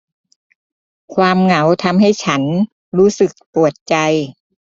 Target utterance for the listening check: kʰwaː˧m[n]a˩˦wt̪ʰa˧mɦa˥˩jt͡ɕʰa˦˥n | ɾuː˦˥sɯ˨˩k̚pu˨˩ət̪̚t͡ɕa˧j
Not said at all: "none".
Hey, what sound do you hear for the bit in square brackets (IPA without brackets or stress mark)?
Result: ŋ